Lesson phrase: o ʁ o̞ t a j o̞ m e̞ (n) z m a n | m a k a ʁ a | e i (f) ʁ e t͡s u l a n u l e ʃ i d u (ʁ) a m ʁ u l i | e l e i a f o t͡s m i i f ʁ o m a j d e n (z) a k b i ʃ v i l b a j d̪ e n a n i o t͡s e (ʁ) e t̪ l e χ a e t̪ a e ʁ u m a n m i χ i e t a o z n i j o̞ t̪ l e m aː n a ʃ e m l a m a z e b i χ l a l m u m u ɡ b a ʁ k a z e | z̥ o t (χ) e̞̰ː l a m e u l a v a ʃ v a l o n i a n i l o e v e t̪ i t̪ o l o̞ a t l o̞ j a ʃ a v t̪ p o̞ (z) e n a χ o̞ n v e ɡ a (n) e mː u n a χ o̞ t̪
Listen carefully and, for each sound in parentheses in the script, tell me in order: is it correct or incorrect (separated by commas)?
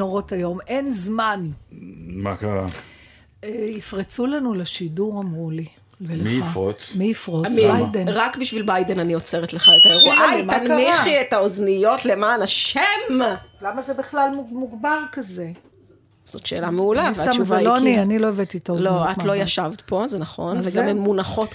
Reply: correct, correct, correct, incorrect, correct, incorrect, correct, incorrect